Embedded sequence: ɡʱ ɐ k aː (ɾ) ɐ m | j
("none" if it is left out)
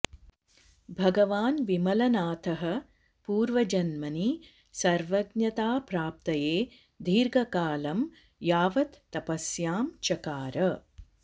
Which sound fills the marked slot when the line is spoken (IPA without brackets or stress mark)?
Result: l